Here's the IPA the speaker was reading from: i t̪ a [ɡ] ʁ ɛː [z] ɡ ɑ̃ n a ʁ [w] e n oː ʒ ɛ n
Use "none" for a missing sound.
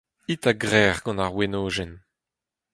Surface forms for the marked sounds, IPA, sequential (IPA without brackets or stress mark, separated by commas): ɡ, ʁ, w